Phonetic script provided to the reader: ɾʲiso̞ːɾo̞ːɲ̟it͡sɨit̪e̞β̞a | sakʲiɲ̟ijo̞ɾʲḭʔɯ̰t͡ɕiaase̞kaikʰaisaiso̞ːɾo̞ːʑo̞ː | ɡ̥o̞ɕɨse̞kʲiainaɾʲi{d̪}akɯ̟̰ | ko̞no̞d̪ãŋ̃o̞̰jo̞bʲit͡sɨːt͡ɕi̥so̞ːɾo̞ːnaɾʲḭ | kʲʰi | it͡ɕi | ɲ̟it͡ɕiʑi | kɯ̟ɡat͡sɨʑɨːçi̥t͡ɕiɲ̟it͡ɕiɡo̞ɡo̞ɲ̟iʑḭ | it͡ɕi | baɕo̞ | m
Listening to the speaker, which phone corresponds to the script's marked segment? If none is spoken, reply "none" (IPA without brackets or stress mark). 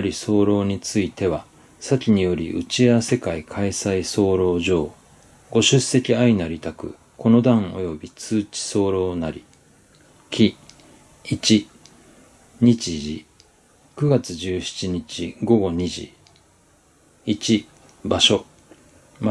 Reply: t̪